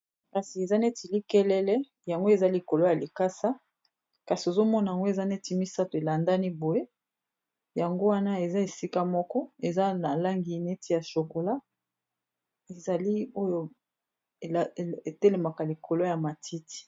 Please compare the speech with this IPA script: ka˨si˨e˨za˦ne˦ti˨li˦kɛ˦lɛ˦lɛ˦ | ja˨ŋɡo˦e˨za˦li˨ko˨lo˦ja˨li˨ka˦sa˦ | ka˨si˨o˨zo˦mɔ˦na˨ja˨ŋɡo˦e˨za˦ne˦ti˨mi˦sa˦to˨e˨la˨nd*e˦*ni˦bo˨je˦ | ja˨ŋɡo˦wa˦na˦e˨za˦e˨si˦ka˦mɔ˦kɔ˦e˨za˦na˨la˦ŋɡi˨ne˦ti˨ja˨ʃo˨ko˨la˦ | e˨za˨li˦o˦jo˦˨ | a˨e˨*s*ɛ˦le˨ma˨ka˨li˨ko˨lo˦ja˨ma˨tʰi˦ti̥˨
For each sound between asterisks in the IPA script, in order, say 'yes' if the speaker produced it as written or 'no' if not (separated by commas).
no, no